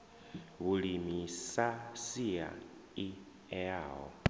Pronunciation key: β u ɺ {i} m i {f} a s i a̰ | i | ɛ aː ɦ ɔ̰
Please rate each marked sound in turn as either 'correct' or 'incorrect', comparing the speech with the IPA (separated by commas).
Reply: correct, incorrect